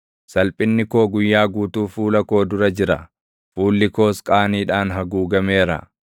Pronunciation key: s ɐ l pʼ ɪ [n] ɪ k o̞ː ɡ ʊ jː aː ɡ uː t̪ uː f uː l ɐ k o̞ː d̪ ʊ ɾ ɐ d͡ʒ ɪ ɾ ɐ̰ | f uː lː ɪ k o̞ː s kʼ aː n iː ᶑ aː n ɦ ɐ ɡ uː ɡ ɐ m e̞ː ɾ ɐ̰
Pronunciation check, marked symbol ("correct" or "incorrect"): incorrect